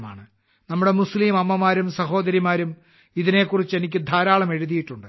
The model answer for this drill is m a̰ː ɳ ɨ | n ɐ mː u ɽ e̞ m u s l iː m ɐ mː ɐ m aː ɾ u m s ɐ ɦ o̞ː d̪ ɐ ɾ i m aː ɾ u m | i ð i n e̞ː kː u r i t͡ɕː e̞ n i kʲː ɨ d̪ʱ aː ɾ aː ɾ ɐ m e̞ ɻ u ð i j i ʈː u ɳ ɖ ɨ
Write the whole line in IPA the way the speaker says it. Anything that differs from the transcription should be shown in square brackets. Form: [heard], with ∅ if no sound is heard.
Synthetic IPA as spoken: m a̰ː ɳ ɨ | n ɐ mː u ɽ e̞ m u s l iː m ɐ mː ɐ m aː ɾ u m s ɐ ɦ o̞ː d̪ ɐ ɾ i m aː ɾ u m | i ð i n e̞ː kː u r i t͡ɕː e̞ n i kʲː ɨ d̪ʱ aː ɾ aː [ɭ] ɐ m e̞ ɻ u ð i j i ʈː u ɳ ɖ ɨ